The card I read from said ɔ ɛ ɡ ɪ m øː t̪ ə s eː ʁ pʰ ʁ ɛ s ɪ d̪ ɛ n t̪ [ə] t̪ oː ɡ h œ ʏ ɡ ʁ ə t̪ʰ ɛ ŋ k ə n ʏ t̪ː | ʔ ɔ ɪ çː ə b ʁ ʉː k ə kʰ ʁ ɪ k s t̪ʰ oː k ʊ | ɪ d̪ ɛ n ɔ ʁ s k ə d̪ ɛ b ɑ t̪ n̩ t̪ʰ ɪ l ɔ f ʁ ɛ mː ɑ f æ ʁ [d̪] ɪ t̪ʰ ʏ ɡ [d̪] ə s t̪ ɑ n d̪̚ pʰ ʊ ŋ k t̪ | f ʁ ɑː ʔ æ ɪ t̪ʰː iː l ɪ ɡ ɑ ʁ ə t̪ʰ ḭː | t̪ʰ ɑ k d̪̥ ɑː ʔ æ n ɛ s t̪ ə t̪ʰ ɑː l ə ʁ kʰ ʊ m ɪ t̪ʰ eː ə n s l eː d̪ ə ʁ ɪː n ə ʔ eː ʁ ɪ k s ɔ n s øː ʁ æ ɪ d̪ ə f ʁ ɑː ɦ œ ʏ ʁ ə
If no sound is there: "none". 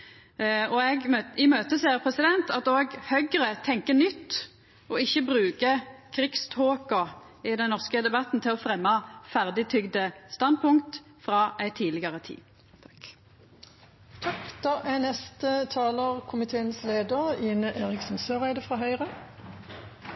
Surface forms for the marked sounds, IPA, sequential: ɑ, d̪, d̪

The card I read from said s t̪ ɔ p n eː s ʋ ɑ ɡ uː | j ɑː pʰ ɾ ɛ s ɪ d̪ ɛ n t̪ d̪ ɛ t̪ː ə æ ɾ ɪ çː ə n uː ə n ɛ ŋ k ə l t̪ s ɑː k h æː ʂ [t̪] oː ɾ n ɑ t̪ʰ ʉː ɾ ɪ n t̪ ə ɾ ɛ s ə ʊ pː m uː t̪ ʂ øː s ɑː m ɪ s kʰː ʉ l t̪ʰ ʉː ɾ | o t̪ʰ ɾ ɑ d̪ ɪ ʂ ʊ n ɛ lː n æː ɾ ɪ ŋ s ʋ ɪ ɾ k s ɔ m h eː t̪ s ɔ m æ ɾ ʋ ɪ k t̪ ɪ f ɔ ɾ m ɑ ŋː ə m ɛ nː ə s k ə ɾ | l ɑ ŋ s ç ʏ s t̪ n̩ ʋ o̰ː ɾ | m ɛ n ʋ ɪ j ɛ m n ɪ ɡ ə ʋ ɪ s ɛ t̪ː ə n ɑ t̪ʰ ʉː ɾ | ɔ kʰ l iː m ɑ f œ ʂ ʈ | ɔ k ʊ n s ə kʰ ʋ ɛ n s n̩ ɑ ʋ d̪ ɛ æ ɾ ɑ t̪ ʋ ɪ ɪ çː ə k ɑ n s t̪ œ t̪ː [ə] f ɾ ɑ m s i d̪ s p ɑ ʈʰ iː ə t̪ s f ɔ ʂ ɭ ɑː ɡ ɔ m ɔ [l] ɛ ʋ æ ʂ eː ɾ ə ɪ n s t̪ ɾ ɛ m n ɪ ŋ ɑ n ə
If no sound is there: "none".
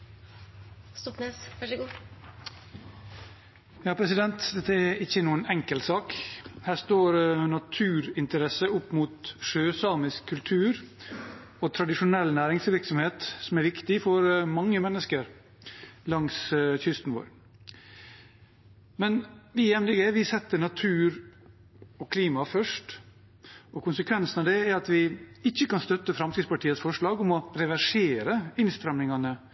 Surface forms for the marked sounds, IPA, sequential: t̪, ə, ɾ

